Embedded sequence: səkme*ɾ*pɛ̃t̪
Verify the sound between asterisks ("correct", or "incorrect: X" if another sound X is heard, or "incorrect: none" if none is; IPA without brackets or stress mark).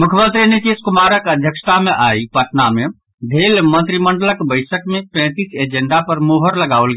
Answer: incorrect: none